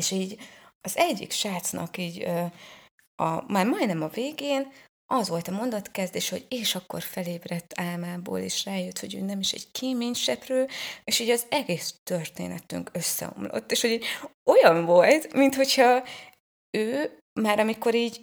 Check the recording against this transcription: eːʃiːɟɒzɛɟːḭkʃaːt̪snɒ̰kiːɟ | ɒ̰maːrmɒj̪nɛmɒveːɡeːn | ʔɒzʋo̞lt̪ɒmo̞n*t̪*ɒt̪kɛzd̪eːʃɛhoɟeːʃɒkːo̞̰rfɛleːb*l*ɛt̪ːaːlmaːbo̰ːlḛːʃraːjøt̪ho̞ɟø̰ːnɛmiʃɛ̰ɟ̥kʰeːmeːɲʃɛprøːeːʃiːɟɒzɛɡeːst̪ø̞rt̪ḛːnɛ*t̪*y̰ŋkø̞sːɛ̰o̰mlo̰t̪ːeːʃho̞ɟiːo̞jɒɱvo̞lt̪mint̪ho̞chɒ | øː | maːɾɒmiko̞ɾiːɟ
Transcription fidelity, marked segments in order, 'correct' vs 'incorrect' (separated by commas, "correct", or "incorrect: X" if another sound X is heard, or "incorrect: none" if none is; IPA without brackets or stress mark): incorrect: d̪, incorrect: r, correct